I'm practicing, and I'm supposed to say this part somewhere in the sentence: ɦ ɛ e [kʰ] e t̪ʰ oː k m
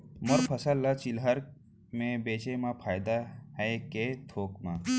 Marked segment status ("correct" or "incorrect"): incorrect